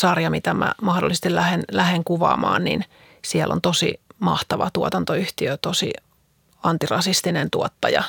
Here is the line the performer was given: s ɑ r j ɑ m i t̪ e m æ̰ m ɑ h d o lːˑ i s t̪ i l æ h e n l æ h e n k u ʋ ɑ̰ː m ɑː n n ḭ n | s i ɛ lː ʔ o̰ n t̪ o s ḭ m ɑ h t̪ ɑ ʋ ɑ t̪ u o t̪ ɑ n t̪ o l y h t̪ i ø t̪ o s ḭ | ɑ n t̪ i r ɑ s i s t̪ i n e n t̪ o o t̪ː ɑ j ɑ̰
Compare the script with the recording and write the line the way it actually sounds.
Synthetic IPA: s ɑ r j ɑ m i t̪ æ m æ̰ m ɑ h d o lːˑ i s t̪ i l æ h e n l æ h e ŋ k u ʋ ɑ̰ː m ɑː n n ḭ n | s i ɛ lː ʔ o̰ n t̪ o s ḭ m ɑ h t̪ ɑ ʋ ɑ t̪ u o t̪ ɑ n t̪ o y h t̪ i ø t̪ o s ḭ | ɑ n t̪ i r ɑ s i s t̪ i n e n t̪ u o t̪ː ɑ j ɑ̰